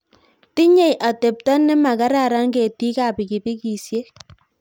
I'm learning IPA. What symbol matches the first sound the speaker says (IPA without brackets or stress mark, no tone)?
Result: t